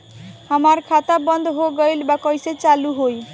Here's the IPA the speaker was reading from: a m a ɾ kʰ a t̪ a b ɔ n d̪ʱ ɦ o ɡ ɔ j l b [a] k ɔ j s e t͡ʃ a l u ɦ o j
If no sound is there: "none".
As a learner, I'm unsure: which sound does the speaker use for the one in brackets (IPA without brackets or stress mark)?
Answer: a